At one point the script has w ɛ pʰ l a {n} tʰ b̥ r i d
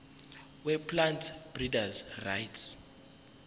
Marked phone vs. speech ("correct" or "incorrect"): correct